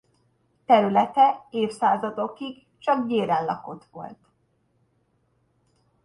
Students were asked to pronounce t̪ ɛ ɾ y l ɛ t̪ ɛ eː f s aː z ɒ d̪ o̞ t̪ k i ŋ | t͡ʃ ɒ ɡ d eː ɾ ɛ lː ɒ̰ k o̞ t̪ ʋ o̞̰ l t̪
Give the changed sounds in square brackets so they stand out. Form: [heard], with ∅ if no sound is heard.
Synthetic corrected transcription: t̪ ɛ ɾ y l ɛ t̪ ɛ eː f s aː z ɒ d̪ o̞ [∅] k i [ɡ] | t͡ʃ ɒ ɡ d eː ɾ ɛ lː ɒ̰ k o̞ t̪ ʋ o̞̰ l t̪

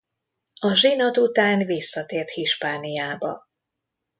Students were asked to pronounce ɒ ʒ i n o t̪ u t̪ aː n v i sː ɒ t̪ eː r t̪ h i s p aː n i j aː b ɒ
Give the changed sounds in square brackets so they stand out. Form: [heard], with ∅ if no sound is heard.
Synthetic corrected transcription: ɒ ʒ i n o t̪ u t̪ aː n v i sː ɒ t̪ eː r t̪ h i [ʃ] p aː n i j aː b ɒ

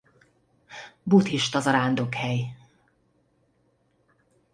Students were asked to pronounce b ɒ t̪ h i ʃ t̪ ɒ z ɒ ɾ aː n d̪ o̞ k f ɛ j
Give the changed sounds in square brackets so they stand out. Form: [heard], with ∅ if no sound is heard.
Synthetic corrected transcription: b [u] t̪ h i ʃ t̪ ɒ z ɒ ɾ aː n d̪ o̞ k [h] ɛ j

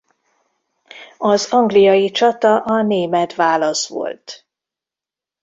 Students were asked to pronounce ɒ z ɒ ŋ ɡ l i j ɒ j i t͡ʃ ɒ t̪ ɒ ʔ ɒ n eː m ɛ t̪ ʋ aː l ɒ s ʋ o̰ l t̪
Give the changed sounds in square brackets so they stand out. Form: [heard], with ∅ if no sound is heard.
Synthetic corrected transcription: ɒ z ɒ ŋ ɡ l i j ɒ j i t͡ʃ ɒ t̪ ɒ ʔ ɒ n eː m ɛ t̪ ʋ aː l ɒ s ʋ o̰ l t̪

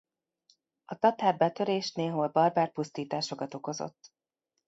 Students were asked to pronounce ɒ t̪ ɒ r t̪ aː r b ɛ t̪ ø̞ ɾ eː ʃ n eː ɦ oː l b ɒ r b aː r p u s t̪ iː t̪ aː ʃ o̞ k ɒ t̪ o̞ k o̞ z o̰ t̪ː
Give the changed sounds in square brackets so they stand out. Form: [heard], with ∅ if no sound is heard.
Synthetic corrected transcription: ɒ t̪ ɒ [∅] t̪ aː r b ɛ t̪ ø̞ ɾ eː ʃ n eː ɦ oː l b ɒ r b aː r p u s t̪ iː t̪ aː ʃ o̞ k ɒ t̪ o̞ k o̞ z o̰ t̪ː

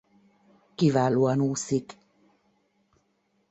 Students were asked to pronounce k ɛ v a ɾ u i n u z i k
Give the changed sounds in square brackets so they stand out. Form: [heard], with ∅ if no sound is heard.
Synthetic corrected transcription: k [i] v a [l] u [a] n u [s] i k

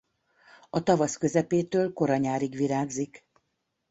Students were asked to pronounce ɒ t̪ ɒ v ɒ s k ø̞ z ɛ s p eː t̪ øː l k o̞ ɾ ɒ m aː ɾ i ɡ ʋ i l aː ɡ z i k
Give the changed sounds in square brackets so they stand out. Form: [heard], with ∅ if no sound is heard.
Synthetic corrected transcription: ɒ t̪ ɒ v ɒ s k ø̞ z ɛ [∅] p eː t̪ øː l k o̞ ɾ ɒ [ɲ] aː ɾ i ɡ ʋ i [ɾ] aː ɡ z i k

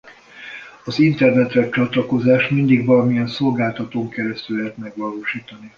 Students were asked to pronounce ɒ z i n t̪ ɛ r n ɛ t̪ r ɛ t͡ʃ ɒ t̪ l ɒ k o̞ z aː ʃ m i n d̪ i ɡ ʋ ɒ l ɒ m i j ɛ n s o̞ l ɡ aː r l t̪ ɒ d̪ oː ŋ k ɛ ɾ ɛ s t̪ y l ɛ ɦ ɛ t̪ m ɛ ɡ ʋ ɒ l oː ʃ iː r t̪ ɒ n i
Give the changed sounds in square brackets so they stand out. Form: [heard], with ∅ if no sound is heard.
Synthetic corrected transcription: ɒ z i n t̪ ɛ r n ɛ t̪ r ɛ t͡ʃ ɒ t̪ l ɒ k o̞ z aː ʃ m i n d̪ i ɡ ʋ ɒ l ɒ m i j ɛ n s o̞ l ɡ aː [∅] l t̪ ɒ [t̪] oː ŋ k ɛ ɾ ɛ s t̪ y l ɛ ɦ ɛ t̪ m ɛ ɡ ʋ ɒ l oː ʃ iː [∅] t̪ ɒ n i

